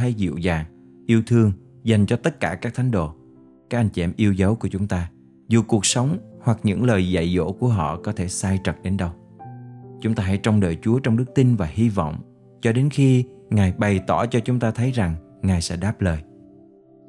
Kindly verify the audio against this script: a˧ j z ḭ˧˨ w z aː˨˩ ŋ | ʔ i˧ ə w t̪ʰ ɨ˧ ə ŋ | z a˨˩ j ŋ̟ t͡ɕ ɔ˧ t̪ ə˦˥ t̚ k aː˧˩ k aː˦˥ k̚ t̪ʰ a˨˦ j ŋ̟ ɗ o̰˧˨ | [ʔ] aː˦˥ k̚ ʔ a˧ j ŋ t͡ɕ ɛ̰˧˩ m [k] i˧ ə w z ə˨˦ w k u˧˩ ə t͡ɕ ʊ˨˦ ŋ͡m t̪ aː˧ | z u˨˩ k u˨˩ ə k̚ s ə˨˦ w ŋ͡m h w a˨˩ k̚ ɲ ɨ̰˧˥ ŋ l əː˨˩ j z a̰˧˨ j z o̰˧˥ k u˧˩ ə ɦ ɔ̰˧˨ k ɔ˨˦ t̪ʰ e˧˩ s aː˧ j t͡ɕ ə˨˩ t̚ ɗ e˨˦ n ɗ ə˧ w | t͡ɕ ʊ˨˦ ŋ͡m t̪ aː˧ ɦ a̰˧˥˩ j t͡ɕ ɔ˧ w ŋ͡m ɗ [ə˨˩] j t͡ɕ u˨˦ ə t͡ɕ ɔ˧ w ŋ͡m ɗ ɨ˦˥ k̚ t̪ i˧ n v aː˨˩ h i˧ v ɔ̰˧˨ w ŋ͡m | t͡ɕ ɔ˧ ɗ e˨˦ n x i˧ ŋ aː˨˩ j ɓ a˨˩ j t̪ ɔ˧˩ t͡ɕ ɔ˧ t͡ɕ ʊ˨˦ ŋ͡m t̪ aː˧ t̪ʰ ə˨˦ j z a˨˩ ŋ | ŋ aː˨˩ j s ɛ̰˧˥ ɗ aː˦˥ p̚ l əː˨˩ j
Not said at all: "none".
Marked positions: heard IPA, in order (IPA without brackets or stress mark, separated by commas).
k, ʔ, əː˨˩